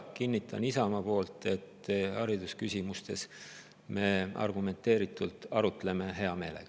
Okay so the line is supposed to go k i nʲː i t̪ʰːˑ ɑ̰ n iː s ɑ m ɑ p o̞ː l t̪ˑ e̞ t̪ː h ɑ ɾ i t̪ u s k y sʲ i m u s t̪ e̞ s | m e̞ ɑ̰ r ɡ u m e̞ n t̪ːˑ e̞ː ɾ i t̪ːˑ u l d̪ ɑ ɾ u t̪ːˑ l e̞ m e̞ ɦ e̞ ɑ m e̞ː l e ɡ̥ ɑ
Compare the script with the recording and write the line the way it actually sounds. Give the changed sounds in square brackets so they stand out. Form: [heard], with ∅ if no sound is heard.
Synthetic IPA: k i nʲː i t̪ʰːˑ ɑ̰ n [i] s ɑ m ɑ p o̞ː l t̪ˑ e̞ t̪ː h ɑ ɾ i [d̪] u s k y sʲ i m u s t̪ e̞ s | m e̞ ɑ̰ r ɡ u m e̞ n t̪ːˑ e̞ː ɾ i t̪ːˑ u l [t̪] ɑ ɾ u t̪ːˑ l e̞ m e̞ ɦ e̞ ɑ m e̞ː l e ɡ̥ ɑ